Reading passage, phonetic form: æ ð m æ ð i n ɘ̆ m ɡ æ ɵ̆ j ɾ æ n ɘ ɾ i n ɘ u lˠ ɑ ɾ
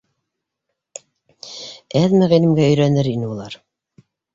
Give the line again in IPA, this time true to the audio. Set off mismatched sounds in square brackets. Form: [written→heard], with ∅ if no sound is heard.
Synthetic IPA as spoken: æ ð m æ [ð→ʁ] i n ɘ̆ m ɡ æ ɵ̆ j ɾ æ n ɘ ɾ i n ɘ u lˠ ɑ ɾ

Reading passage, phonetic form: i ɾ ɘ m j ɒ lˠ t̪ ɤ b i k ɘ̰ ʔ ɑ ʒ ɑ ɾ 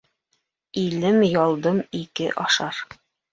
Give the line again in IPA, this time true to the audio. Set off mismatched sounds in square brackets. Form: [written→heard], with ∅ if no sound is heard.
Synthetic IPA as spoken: i [ɾ→l] ɘ m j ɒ lˠ [t̪→d̪] ɤ [b→m] i k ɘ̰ ʔ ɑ [ʒ→ʃ] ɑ ɾ

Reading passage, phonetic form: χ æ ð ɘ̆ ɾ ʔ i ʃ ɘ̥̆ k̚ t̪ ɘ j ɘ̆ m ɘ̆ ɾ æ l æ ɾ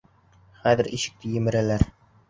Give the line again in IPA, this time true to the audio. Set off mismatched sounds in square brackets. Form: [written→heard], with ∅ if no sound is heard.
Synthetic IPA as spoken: χ æ ð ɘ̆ ɾ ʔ i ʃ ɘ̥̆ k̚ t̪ ɘ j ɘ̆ m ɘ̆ ɾ æ l æ ɾ

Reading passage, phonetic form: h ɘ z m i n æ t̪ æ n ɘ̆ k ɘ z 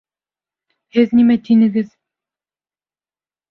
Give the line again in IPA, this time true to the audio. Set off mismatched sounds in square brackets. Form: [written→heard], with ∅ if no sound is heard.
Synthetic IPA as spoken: h ɘ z [m→n] i [n→m] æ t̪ [æ→i] n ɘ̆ [k→ɡ] ɘ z

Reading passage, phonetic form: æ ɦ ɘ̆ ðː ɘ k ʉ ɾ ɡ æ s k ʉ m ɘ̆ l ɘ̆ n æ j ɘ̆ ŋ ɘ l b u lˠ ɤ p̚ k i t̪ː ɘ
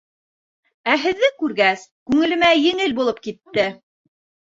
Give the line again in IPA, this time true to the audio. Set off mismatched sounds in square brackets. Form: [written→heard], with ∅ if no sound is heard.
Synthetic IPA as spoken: æ ɦ ɘ̆ ðː ɘ k ʉ ɾ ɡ æ s k ʉ [m→ŋ] ɘ̆ l ɘ̆ [n→m] æ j ɘ̆ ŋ ɘ l b u lˠ ɤ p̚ k i t̪ː ɘ

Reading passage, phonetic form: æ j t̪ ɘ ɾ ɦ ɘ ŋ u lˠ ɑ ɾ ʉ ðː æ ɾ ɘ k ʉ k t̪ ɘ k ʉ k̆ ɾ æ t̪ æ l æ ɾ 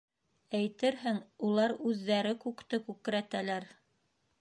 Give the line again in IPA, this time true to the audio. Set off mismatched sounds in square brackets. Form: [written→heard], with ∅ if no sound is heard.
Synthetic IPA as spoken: æ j t̪ ɘ ɾ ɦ ɘ ŋ u lˠ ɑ ɾ ʉ ðː æ ɾ ɘ k ʉ k t̪ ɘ k ʉ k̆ ɾ æ t̪ æ l æ ɾ

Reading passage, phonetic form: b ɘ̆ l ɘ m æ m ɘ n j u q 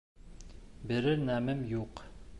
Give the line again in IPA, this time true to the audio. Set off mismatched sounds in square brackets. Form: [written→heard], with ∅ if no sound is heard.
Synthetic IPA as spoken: b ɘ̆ [l→ɾ] ɘ [m→n] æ m ɘ [n→m] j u q

